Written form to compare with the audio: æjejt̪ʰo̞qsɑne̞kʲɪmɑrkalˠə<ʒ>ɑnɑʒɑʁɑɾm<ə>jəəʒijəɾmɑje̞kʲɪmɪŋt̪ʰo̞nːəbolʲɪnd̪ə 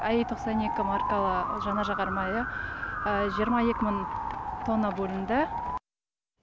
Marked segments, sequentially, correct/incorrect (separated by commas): correct, incorrect